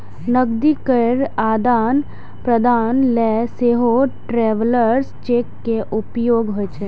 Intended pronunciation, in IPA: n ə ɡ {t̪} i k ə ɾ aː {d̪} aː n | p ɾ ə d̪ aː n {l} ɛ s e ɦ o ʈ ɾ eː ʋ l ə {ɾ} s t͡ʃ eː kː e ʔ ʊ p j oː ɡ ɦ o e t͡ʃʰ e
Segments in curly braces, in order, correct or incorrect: incorrect: d̪, correct, correct, correct

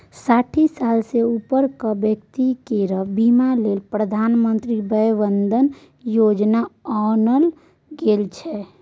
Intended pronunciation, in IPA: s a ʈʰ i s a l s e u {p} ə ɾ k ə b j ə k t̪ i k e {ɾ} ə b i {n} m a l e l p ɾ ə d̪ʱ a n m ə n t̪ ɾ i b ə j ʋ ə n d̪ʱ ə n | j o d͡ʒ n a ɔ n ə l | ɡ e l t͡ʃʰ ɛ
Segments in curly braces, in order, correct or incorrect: correct, correct, incorrect: none

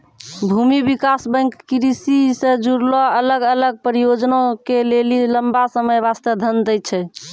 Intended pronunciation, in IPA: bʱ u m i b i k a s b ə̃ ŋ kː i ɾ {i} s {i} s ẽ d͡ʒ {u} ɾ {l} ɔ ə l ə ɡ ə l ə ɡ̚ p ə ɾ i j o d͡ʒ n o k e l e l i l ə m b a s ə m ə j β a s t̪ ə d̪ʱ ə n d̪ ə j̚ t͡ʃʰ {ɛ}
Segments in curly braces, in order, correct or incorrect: correct, correct, correct, correct, correct

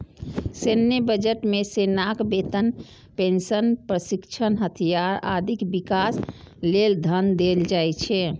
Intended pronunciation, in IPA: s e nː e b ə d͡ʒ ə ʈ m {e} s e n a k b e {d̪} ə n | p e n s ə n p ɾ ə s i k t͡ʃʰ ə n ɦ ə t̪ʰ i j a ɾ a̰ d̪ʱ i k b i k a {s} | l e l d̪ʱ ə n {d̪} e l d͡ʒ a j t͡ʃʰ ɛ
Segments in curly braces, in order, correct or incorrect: correct, incorrect: t̪, correct, correct

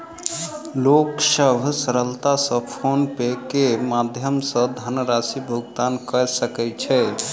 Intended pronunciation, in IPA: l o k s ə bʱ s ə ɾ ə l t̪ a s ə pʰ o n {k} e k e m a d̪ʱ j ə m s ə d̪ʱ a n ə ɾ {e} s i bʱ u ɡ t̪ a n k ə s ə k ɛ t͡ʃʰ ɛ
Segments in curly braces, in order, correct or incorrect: incorrect: p, incorrect: a

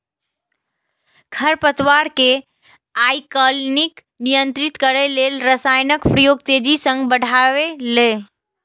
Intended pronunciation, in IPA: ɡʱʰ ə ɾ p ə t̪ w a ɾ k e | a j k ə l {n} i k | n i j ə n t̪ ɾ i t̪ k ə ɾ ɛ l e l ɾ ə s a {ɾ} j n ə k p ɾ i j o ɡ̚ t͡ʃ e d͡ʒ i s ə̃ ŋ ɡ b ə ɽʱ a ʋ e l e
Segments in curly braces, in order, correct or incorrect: correct, incorrect: none

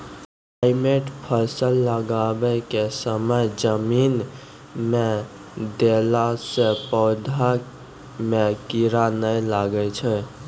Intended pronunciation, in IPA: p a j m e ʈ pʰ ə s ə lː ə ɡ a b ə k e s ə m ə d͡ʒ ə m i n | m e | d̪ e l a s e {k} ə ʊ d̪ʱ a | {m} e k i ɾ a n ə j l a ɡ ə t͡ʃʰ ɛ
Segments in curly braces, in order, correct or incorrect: incorrect: p, correct

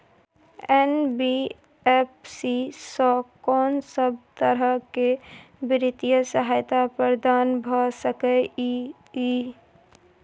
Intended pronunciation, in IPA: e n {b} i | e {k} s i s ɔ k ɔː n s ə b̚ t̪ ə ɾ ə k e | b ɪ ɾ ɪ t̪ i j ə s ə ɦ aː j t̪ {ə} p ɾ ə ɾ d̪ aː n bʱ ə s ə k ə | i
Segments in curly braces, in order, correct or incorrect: correct, incorrect: p, incorrect: a

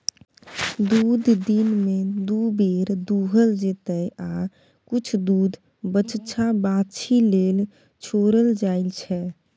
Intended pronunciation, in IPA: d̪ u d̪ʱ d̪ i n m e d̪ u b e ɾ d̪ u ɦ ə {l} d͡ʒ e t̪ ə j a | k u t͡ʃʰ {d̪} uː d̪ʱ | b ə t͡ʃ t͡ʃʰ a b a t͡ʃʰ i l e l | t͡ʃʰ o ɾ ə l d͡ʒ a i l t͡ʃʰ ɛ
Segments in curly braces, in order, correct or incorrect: correct, correct

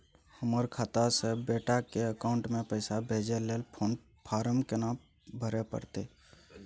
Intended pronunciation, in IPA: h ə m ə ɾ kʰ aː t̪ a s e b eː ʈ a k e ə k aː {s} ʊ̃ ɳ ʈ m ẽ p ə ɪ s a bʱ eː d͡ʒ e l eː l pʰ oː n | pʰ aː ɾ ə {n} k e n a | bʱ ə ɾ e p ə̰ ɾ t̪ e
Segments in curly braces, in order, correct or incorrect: incorrect: none, incorrect: m

